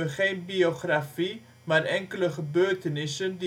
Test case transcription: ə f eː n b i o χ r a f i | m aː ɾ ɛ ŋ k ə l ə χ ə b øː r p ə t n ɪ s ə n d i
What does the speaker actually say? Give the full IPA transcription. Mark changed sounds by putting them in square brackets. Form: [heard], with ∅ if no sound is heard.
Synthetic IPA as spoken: ə [χ] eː n b i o χ r a f i | m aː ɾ ɛ ŋ k ə l ə χ ə b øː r [t] ə [∅] n ɪ s ə n d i